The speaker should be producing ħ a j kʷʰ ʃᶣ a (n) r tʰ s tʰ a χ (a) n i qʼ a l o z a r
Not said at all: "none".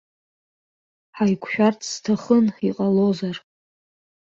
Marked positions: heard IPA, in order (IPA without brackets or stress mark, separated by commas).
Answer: none, ə